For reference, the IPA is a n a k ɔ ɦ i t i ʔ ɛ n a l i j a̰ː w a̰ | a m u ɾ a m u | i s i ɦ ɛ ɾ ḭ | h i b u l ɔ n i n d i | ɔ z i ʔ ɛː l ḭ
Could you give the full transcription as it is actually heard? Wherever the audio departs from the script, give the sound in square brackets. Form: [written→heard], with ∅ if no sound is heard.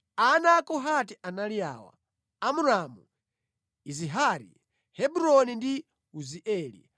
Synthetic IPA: a n a k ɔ ɦ [i→a] t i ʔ [ɛ→a] n a l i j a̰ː w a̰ | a m u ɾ a m u | i [s→z] i ɦ [ɛ→a] ɾ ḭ | h [i→ɛ] b u [l→ɾ] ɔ n i n d i | [ɔ→u] z i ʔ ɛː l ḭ